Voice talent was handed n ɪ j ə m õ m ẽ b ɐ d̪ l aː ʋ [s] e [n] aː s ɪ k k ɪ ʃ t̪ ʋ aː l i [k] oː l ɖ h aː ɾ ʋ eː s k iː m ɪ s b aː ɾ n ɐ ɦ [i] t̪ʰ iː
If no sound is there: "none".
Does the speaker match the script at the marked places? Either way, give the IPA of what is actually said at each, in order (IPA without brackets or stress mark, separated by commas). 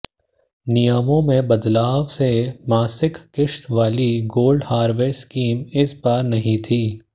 s, m, ɡ, ĩ